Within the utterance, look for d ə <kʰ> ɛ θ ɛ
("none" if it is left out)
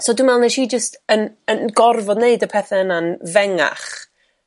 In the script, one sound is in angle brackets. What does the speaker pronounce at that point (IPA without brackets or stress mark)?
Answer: pʰ